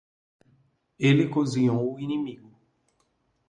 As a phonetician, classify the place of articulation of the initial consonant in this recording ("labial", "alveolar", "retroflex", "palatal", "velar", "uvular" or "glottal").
alveolar